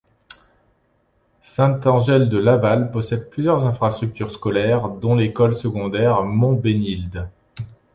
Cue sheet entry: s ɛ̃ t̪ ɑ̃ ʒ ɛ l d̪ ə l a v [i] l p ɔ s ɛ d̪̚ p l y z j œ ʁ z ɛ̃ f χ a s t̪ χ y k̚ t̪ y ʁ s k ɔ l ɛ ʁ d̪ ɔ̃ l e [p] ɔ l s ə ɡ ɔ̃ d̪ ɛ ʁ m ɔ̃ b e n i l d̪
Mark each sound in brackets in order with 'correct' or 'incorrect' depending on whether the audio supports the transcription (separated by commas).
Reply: incorrect, incorrect